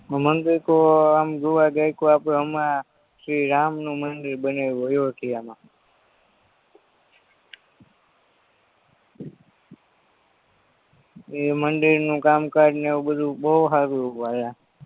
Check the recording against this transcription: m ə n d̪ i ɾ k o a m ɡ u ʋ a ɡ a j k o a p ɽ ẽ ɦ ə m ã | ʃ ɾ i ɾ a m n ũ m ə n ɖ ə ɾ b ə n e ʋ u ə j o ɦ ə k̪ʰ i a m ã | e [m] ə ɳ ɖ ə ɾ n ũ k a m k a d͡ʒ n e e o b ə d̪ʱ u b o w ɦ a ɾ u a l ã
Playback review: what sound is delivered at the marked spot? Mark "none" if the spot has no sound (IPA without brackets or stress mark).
m